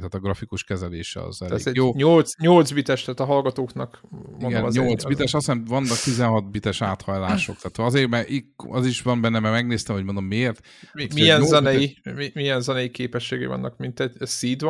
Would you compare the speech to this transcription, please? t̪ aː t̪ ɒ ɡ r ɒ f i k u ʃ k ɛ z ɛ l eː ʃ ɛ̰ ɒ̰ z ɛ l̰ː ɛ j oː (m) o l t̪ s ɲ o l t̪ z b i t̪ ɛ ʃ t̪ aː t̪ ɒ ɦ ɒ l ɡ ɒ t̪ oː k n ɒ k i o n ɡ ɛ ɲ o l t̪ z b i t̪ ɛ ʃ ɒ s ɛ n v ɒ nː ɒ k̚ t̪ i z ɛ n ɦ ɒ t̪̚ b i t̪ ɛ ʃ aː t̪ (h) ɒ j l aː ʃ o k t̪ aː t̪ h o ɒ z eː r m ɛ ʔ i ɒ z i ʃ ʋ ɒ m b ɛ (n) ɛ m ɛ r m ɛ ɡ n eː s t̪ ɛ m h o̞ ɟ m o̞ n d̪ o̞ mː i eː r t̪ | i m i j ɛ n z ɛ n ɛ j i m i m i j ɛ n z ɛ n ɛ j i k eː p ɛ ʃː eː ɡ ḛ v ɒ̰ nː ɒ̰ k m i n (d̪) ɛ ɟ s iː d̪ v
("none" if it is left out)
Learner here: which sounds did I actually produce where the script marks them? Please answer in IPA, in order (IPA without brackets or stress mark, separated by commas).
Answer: ɲ, h, nː, t̪